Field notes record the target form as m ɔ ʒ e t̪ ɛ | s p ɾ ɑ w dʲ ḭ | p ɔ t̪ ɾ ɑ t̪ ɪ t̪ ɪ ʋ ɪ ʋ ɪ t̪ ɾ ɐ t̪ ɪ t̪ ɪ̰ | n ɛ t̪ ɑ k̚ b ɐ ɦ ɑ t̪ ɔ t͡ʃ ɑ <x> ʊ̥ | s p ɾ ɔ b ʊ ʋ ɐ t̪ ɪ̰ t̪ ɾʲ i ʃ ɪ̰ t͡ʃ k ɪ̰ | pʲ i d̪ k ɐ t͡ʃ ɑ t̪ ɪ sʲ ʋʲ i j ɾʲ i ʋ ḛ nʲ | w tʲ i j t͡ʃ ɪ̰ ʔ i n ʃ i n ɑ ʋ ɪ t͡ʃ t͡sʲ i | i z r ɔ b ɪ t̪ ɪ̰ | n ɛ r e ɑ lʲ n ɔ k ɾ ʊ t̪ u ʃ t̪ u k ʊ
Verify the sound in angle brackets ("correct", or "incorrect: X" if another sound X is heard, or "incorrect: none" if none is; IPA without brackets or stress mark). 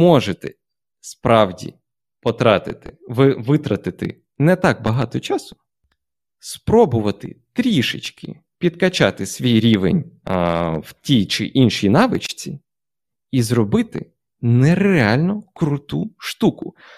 incorrect: s